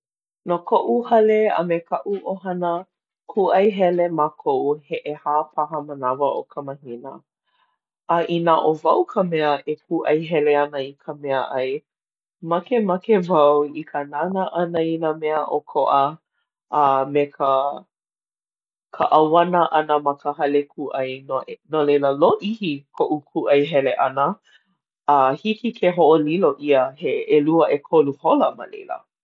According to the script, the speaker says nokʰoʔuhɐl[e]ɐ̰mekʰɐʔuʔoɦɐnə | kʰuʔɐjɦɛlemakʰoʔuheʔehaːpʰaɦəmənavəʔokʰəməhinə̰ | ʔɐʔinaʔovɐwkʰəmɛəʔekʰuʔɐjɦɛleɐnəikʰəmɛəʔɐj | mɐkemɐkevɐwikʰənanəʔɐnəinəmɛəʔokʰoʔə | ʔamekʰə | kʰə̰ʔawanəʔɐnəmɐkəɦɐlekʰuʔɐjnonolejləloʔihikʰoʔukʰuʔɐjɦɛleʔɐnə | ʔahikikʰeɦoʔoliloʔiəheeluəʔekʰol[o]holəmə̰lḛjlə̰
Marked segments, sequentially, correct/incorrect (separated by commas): correct, incorrect